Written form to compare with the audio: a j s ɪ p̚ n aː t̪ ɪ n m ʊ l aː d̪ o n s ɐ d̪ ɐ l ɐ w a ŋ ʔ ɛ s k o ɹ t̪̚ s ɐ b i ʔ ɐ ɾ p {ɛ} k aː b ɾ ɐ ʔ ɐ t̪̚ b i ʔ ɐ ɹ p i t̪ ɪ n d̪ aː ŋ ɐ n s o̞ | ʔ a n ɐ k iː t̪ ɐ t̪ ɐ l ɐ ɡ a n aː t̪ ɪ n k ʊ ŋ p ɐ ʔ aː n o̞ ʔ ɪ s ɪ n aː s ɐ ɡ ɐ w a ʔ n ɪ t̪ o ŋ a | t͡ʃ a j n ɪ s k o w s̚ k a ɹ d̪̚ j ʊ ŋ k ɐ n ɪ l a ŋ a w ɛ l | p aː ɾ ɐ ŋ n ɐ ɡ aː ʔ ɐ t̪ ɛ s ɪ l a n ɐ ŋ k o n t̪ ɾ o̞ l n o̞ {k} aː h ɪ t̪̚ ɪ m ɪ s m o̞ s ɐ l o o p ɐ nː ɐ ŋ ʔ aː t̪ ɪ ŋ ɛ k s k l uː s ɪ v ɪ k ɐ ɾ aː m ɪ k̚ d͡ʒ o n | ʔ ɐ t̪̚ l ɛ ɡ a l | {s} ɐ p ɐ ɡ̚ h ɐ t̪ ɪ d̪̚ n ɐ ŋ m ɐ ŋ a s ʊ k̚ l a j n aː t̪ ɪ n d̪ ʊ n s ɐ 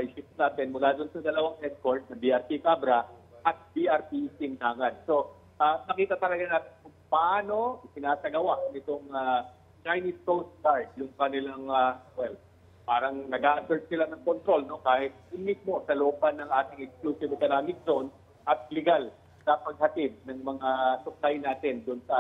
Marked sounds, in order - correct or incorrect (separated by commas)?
incorrect, correct, correct